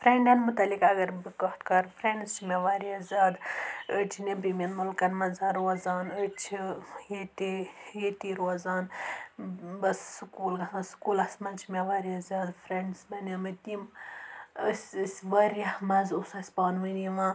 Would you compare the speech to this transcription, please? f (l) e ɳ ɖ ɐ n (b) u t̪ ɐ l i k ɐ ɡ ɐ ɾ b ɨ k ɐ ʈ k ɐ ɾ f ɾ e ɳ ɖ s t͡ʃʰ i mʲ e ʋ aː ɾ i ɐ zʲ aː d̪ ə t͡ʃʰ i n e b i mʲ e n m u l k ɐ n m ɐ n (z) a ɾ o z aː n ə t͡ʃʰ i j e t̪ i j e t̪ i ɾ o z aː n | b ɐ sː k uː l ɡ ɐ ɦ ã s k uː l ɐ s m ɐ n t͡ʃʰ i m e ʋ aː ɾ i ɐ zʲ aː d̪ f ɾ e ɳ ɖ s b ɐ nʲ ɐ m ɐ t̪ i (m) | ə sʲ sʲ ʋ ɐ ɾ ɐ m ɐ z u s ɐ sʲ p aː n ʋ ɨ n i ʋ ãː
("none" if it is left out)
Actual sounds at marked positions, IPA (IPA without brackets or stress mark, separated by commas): ɾ, m, z, m